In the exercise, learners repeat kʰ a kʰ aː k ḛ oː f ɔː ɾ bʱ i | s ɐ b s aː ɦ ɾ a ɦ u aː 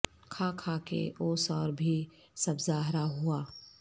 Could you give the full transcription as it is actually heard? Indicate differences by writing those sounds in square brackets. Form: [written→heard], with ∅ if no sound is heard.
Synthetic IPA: kʰ a kʰ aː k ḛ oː [f→s] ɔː ɾ bʱ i | s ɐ b [s→z] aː ɦ ɾ a ɦ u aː